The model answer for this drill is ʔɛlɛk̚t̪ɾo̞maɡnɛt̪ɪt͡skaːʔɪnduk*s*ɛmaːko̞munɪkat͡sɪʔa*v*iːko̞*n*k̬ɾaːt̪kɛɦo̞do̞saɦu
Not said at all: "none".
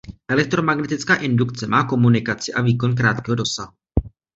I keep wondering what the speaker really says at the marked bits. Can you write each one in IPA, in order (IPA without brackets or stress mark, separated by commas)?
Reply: t͡s, v, n